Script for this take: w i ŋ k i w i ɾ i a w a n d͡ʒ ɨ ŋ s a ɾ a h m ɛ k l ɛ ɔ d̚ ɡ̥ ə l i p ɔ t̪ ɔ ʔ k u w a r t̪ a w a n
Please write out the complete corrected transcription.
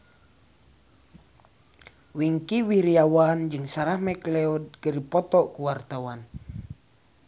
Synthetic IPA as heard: w i ŋ k i w i ɾ i a w a n d͡ʒ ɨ ŋ s a ɾ a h m ɛ k l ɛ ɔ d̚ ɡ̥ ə ɾ i p ɔ t̪ ɔ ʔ k u w a r t̪ a w a n